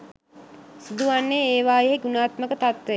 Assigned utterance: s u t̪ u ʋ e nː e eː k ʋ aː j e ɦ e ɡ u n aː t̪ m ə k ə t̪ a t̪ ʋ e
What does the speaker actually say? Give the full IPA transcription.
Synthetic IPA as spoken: s u d̪ u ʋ a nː e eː ʋ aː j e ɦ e ɡ u n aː t̪ m ə k ə t̪ a t̪ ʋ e